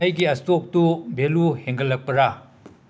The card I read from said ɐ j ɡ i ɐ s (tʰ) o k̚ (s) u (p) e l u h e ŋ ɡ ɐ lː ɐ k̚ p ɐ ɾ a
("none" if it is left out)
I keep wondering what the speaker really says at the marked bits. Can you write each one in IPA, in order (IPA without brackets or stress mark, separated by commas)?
t, t, b